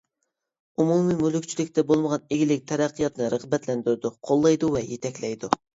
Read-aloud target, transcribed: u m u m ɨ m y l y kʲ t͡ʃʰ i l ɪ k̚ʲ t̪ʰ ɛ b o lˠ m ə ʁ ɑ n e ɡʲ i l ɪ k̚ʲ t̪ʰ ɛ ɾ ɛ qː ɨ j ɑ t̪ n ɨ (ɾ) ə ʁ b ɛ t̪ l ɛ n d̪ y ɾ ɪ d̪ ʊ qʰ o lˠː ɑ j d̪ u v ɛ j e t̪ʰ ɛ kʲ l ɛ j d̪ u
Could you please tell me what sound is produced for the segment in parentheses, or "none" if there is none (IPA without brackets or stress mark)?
ɾ